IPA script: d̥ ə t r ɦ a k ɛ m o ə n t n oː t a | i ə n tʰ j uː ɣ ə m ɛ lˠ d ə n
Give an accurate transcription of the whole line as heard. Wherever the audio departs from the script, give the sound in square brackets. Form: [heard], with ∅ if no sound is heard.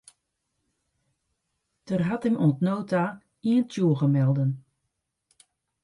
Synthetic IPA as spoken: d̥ ə [∅] r ɦ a [t] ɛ m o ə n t n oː t a | i ə n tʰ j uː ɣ ə m ɛ lˠ d ə n